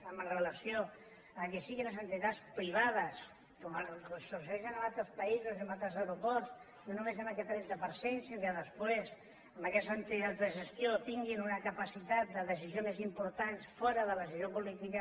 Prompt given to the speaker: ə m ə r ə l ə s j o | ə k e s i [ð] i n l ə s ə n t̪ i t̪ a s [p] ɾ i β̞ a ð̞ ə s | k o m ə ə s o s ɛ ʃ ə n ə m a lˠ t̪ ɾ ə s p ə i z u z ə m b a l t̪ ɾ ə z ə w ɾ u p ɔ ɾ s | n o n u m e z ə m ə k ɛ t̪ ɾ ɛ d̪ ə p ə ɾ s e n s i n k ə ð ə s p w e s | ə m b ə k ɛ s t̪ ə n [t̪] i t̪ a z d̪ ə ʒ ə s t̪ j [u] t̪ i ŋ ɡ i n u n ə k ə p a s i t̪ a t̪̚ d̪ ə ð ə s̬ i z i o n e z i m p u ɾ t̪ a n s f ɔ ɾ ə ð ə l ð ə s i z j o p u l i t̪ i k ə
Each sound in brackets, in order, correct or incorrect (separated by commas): incorrect, correct, correct, incorrect